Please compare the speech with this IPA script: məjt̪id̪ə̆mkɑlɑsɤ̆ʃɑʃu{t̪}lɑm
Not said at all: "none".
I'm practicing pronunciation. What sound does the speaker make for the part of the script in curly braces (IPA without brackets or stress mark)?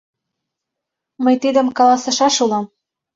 none